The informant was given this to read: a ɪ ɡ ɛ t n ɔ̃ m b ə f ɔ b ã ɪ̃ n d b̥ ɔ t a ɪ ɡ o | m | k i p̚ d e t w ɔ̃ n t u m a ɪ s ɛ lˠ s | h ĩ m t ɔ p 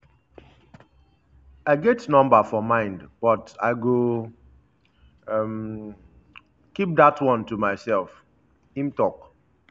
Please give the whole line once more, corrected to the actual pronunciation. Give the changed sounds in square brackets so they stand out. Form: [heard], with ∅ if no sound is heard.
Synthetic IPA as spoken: a ɪ ɡ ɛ t n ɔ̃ m b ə f ɔ [m] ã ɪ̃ n d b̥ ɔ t a ɪ ɡ o | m | k i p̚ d [a] t w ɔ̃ n t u m a ɪ s ɛ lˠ [f] | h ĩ m t ɔ [k]